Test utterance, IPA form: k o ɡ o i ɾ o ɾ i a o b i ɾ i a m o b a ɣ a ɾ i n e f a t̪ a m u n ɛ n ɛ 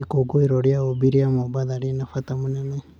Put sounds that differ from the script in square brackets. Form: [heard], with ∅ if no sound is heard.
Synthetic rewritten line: k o ɡ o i ɾ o ɾ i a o b i ɾ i a m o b a [ð] a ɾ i n [a] f a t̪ a m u n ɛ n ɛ